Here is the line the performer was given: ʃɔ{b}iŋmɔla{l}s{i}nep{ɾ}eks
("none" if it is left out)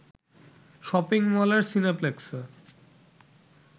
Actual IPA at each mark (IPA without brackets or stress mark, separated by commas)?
p, ɾ, i, l